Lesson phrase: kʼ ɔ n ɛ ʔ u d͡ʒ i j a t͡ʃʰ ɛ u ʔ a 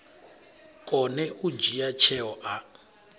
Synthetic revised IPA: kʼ ɔ n ɛ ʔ u d͡ʒ i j a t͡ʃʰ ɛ ɔ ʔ a